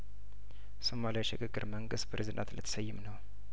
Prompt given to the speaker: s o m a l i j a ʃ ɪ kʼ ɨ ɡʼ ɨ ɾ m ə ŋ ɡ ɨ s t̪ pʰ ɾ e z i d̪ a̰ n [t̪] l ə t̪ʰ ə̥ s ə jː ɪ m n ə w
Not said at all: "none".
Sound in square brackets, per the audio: t̪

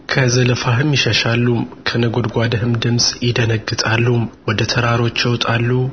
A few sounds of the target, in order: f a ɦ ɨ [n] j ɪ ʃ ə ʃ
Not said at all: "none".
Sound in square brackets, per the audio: m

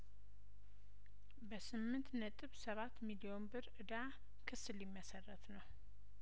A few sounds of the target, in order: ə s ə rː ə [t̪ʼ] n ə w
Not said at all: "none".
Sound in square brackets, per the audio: t̪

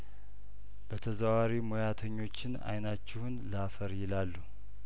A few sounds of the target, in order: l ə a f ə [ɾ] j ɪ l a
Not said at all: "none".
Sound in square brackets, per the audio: ɾ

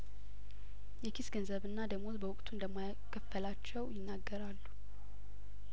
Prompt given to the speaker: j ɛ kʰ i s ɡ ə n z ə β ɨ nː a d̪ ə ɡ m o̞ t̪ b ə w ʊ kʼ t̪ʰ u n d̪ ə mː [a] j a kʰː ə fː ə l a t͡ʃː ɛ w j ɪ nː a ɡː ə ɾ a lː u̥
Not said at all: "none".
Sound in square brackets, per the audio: a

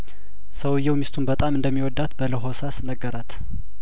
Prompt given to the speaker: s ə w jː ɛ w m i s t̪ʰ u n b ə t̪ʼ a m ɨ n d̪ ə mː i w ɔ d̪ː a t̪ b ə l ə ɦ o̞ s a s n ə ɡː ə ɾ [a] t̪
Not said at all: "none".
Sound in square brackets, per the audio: a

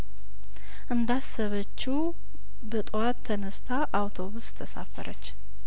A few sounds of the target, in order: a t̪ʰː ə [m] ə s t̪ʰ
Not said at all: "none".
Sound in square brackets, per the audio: n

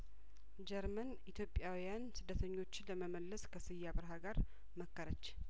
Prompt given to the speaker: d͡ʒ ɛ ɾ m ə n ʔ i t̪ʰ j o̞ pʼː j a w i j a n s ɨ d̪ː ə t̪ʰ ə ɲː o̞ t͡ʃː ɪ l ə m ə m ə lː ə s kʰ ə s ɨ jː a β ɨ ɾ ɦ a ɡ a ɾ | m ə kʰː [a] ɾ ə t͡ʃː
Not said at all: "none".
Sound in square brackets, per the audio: ə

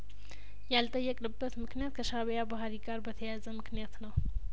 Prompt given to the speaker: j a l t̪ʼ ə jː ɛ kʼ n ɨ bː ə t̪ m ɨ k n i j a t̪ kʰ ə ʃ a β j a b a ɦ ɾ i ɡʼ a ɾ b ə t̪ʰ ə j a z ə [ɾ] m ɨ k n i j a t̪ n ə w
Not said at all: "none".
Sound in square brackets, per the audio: none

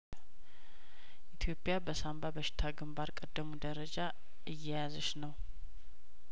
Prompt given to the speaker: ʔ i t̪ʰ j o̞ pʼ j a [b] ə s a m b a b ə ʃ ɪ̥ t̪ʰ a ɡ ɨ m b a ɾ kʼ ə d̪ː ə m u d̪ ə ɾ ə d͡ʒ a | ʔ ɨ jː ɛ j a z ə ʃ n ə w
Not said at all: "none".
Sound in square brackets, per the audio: b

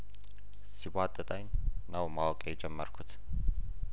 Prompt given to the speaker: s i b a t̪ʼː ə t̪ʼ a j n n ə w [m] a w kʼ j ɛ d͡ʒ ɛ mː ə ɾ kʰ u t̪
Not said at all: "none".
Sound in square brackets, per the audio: m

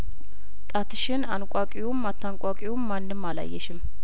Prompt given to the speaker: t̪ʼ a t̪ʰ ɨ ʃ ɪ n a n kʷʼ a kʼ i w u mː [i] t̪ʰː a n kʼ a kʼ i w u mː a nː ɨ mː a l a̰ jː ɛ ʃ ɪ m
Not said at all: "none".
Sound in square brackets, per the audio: a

